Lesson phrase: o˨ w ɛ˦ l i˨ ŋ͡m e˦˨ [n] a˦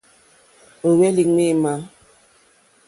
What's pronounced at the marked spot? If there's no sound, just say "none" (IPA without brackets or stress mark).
m